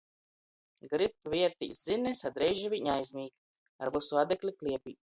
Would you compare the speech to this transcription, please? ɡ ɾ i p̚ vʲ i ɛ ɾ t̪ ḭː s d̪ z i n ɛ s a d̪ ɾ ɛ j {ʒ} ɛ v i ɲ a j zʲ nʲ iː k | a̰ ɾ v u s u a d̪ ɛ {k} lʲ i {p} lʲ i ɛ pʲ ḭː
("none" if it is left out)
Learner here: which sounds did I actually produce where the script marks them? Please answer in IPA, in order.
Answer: ʒ, k, k

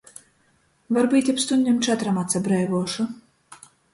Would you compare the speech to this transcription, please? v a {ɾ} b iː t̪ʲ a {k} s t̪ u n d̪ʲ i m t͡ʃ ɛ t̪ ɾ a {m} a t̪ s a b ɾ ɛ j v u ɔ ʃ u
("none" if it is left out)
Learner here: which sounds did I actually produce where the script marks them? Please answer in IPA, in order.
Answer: ɾ, p, m

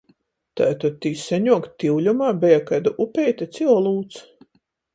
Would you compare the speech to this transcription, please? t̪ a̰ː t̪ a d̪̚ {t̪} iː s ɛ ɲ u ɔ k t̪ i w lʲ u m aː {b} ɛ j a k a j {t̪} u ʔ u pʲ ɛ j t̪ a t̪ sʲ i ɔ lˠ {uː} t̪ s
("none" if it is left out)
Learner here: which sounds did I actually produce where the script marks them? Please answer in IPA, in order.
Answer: t̪, b, d̪, uː

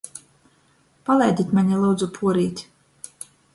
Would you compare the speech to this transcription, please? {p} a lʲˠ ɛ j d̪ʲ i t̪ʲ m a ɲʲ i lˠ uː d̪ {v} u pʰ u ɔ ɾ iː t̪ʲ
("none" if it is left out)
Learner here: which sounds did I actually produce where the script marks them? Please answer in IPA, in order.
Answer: p, z

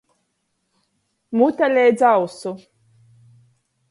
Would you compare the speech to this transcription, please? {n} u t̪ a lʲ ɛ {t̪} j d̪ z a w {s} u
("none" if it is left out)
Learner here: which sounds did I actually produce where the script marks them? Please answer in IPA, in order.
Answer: m, none, s

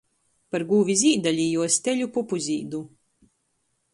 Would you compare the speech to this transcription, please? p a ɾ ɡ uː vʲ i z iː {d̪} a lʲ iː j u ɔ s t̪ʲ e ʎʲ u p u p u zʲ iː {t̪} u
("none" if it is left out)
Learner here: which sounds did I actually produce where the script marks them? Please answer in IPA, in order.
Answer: d̪, d̪

